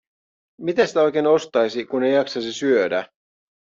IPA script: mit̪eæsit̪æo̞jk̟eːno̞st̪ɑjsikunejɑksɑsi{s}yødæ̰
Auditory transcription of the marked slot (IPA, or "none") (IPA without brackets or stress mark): s